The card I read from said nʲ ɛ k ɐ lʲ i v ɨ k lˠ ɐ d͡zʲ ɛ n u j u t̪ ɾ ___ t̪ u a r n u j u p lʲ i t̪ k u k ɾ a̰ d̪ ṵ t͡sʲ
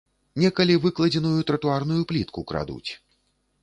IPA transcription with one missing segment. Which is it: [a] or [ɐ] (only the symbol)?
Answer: ɐ